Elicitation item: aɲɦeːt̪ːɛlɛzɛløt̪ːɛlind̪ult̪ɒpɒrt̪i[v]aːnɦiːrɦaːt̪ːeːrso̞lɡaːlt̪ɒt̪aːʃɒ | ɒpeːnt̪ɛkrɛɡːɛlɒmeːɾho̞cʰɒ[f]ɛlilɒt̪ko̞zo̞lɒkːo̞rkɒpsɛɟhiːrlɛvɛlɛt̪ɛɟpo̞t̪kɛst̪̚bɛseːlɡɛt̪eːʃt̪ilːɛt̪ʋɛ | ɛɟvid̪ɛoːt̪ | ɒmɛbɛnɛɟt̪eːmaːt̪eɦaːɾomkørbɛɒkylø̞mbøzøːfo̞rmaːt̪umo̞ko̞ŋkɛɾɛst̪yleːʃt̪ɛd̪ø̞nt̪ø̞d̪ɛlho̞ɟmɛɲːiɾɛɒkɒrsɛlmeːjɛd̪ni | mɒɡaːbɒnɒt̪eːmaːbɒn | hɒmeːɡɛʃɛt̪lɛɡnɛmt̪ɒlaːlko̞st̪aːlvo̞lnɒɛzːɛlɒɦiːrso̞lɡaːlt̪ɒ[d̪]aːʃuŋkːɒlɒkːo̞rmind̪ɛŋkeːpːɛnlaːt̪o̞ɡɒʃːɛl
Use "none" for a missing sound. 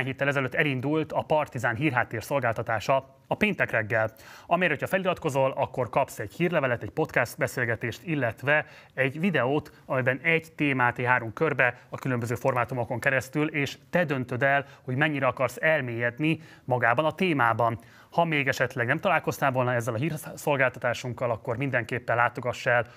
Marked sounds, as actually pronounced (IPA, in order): z, f, t̪

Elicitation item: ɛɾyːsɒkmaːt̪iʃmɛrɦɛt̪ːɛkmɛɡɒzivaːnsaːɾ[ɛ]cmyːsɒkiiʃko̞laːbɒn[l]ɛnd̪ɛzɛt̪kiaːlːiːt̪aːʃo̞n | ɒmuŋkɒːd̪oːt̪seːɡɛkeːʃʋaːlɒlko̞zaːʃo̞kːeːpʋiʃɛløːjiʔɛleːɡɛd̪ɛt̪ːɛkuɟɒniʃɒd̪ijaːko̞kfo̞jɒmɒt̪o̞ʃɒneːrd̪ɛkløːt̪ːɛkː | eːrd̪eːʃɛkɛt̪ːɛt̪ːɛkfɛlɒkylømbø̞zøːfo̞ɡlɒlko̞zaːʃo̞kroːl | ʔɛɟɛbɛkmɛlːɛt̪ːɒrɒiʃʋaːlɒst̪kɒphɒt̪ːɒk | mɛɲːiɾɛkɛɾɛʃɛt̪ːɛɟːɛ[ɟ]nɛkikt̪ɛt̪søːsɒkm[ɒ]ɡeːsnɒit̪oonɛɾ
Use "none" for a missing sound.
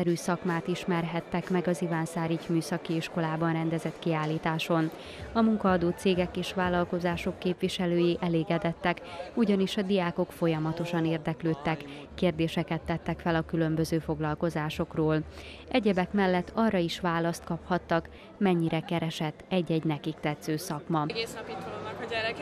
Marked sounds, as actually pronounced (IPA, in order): i, r, ɟ, ɒ

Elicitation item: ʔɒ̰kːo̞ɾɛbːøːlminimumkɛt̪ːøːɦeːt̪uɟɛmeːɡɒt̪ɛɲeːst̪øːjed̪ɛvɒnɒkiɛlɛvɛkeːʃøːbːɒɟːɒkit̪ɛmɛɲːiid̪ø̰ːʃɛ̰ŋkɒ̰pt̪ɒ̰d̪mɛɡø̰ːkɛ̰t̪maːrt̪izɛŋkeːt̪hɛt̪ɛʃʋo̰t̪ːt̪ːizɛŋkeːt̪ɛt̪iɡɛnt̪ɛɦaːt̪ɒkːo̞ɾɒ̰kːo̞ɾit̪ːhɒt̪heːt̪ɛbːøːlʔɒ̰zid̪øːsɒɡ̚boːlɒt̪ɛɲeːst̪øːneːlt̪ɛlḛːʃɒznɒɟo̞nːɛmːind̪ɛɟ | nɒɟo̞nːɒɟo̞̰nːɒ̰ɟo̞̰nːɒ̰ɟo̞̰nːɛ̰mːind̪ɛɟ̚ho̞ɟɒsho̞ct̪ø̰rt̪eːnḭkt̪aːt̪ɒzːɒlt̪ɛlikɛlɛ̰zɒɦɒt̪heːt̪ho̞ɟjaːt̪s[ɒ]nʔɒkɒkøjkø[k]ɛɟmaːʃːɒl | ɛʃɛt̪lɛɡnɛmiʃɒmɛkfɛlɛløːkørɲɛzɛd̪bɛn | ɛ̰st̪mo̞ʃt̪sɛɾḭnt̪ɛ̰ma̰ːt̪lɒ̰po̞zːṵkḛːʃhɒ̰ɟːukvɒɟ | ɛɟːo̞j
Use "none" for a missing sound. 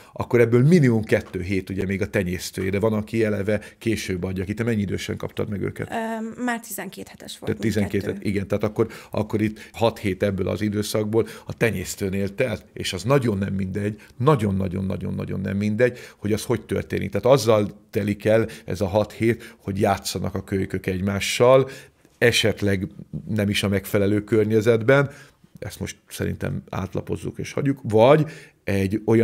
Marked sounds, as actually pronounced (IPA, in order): ɒ, k

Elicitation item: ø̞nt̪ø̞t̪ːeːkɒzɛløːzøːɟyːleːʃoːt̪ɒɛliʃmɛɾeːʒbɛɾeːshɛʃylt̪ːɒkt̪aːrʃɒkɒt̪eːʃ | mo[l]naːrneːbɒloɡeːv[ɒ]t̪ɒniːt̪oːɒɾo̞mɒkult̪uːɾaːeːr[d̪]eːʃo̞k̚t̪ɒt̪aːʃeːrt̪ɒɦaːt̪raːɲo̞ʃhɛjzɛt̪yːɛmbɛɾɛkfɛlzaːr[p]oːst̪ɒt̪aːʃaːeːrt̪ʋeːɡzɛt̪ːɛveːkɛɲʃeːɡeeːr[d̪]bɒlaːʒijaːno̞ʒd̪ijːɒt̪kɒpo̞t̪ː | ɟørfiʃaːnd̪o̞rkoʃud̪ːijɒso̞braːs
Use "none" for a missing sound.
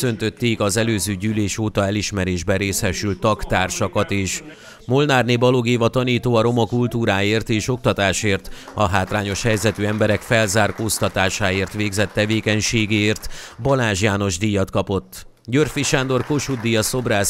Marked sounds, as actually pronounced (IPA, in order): l, ɒ, t̪, k, t̪

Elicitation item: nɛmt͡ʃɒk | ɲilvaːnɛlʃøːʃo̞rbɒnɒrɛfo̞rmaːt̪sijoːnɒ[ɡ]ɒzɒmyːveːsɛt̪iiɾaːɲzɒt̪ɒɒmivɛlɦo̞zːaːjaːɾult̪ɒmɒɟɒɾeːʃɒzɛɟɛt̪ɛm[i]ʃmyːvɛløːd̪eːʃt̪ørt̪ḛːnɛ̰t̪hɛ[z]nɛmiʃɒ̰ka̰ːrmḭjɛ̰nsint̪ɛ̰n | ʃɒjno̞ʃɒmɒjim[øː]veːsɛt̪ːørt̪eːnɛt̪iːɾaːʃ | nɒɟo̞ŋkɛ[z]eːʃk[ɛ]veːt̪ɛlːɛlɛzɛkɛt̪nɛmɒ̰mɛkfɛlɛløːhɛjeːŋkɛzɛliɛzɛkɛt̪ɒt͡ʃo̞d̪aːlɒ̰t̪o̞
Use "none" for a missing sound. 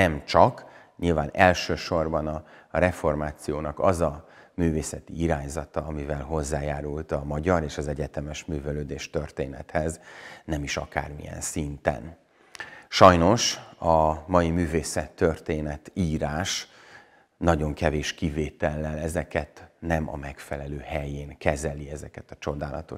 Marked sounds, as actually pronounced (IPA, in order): k, ɛ, z, yː, v, i

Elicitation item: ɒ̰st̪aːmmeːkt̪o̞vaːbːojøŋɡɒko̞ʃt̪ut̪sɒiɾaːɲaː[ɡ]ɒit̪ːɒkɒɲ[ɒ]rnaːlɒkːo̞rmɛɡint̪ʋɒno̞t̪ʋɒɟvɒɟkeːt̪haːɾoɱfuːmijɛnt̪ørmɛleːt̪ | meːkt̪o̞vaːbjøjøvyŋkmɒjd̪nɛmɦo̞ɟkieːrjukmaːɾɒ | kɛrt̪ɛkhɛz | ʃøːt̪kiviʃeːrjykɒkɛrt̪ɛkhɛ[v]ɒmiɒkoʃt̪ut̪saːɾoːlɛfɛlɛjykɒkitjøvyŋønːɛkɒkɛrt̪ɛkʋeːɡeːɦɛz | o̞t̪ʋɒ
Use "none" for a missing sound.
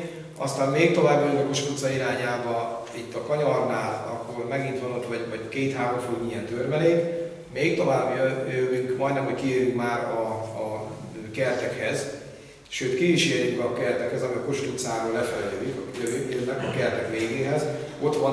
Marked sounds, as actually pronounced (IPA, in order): b, ɒ, z

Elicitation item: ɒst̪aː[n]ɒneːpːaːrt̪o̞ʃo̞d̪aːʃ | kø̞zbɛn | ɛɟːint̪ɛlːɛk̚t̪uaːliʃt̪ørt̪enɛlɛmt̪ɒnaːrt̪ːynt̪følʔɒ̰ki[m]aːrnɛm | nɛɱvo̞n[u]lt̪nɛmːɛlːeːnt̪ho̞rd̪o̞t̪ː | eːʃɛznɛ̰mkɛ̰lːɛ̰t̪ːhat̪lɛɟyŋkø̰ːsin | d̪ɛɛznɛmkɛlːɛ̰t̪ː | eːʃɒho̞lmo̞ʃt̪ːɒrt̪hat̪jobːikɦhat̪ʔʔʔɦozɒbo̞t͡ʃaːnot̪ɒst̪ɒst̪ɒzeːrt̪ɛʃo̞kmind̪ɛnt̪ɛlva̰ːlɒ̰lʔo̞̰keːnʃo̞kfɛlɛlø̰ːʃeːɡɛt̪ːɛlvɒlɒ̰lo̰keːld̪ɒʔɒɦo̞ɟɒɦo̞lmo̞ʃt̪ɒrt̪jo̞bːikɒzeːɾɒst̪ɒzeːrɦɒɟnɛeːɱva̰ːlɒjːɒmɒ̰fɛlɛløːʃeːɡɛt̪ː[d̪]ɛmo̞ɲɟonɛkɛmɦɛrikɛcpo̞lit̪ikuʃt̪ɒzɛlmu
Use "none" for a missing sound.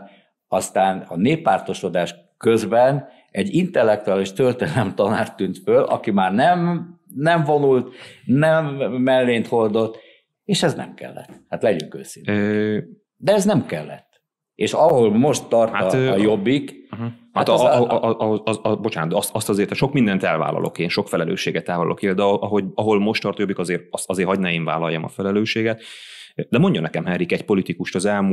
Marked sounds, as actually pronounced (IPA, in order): n, m, u, d̪

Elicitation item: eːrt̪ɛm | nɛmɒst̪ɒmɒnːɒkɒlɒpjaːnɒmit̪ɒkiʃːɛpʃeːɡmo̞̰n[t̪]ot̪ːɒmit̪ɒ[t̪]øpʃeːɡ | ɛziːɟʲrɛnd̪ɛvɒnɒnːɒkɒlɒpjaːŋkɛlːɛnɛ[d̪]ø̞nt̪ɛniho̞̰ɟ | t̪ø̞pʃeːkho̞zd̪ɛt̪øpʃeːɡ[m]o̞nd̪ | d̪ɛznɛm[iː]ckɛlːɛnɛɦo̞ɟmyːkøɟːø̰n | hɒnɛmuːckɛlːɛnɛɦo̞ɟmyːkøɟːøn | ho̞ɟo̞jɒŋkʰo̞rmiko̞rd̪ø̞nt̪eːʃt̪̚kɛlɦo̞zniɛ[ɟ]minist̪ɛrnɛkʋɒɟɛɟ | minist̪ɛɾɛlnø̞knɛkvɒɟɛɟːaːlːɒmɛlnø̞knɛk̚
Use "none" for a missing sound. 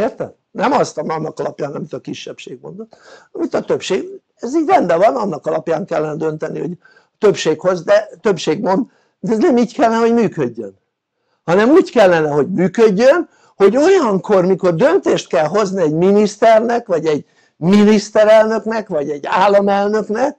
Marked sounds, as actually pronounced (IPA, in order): d̪, t̪, d̪, m, iː, ɟ

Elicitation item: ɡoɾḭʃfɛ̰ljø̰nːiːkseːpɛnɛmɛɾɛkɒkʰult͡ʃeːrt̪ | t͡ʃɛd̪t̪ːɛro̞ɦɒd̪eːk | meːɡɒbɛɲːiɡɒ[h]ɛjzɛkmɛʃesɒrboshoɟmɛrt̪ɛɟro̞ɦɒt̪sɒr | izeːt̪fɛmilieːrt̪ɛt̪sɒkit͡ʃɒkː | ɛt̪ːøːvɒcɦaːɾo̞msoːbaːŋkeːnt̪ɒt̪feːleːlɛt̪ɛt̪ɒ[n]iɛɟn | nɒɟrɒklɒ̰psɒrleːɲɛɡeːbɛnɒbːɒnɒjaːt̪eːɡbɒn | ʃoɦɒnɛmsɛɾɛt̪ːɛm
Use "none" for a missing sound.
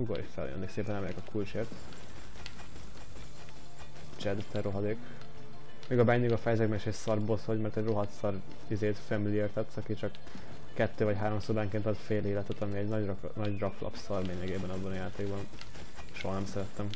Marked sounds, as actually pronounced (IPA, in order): f, m

